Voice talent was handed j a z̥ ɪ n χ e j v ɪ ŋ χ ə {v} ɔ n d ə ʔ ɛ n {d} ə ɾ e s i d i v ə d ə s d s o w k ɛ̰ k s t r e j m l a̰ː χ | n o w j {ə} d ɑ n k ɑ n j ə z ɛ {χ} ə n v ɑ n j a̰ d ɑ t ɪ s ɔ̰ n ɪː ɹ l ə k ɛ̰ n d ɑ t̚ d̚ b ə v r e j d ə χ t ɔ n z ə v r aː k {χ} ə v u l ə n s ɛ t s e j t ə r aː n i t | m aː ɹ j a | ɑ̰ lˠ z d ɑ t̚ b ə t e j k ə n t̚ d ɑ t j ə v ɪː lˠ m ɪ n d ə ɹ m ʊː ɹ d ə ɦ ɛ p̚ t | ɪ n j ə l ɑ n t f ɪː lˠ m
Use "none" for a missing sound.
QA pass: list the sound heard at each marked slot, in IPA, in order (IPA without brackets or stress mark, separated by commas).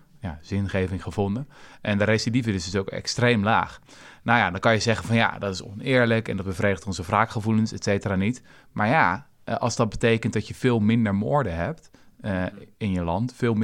v, d, a, χ, χ